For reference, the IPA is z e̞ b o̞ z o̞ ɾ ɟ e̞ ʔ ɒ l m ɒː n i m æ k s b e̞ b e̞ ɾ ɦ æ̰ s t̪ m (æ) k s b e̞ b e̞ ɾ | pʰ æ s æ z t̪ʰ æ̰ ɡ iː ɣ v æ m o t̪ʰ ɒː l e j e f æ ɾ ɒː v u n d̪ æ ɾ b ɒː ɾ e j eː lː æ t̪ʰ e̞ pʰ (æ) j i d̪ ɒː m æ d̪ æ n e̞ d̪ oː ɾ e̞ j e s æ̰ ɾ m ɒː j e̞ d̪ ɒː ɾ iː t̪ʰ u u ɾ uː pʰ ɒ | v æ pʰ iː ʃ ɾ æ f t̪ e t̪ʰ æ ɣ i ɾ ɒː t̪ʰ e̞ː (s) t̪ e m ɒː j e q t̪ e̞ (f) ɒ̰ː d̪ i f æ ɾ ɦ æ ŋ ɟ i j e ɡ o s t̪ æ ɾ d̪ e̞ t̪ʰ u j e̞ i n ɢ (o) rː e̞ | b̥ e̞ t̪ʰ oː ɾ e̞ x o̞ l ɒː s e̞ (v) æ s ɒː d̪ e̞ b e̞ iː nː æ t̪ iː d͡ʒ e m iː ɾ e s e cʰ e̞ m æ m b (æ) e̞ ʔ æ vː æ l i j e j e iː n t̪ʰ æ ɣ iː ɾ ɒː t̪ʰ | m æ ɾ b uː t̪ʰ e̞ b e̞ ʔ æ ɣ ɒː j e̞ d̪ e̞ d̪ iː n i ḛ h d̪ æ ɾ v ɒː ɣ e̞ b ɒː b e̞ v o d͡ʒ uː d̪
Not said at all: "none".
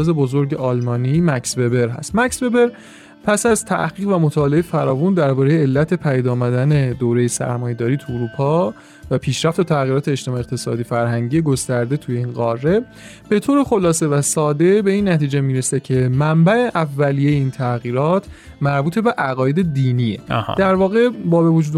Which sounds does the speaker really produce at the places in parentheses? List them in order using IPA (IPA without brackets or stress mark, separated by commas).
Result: æ, æ, ʃ, s, ɒ, v, æ